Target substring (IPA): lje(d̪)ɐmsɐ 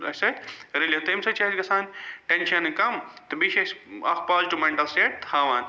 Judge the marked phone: incorrect: t̪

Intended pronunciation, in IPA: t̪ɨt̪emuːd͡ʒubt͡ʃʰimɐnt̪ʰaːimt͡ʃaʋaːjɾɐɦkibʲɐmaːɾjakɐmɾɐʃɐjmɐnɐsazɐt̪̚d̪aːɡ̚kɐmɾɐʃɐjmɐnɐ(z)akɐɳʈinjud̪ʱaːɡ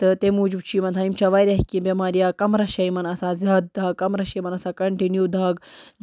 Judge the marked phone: incorrect: s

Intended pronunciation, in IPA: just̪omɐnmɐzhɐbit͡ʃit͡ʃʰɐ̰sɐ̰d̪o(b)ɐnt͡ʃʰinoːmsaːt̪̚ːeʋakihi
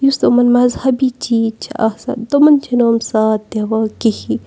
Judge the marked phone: incorrect: m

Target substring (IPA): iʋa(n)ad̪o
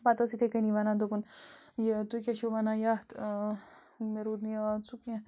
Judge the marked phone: correct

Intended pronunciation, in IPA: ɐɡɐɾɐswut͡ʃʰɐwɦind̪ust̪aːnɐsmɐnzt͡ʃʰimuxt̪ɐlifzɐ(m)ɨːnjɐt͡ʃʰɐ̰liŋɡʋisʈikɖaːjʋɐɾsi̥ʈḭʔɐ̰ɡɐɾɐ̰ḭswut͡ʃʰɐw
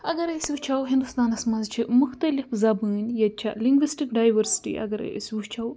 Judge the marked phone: incorrect: b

